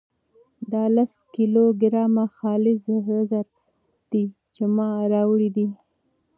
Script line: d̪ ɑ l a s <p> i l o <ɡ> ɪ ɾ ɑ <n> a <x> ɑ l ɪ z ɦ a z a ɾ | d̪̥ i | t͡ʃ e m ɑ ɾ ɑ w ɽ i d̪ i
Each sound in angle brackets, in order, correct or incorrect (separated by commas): incorrect, correct, incorrect, correct